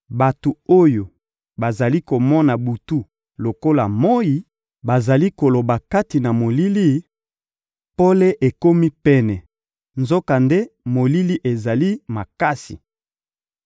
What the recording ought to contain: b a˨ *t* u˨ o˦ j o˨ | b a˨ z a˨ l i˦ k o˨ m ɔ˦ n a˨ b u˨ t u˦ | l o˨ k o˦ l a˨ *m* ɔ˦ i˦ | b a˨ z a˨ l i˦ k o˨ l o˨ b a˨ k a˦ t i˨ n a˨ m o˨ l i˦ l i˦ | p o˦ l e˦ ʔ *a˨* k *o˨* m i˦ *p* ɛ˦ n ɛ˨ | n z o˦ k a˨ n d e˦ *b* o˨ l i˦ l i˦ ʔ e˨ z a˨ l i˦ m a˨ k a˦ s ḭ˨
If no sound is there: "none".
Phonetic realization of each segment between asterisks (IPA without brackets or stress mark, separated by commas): t, m, e˨, o˦, p, m